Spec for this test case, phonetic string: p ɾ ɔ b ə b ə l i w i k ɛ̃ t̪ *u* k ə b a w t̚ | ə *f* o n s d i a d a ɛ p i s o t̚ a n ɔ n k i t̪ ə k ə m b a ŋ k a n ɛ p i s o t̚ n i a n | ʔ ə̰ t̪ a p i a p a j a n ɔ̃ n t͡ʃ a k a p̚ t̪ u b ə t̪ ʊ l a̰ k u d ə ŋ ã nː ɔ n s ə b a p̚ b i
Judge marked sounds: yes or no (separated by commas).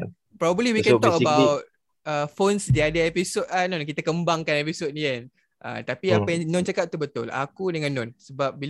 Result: no, yes